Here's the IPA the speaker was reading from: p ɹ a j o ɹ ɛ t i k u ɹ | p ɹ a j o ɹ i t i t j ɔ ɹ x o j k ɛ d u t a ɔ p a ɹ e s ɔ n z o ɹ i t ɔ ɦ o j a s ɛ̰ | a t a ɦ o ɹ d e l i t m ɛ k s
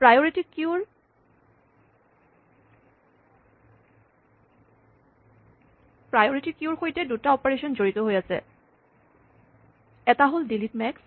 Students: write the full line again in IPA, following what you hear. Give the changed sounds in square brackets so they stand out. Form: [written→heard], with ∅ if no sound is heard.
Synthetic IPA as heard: p ɹ a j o ɹ [ɛ→i] t i k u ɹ | p ɹ a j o ɹ i t i [t→k] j [ɔ→u] ɹ x o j [k→t] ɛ d u t a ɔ p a ɹ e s ɔ n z o ɹ i t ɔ ɦ o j a s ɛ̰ | [a→ɛ] t a ɦ o [ɹ→l] d [e→i] l i t m ɛ k s

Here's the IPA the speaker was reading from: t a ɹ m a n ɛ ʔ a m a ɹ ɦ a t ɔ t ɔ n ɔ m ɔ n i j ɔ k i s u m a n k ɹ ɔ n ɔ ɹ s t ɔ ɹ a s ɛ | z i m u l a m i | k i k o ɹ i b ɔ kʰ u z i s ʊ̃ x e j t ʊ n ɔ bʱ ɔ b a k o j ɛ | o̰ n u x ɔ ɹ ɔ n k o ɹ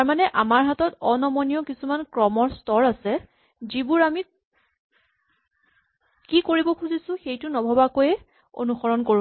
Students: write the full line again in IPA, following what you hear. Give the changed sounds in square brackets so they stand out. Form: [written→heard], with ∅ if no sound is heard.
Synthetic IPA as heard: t a ɹ m a n ɛ ʔ a m a ɹ ɦ a t ɔ t ɔ n ɔ m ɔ n i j ɔ k i s u m a n k ɹ ɔ [n→m] ɔ ɹ s t ɔ ɹ a s ɛ | z i [m→b] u [l→ɹ] a m i | k i k o ɹ i b ɔ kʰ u z i s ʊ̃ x e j t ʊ n ɔ bʱ ɔ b a k o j ɛ | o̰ n u x ɔ ɹ ɔ n k o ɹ

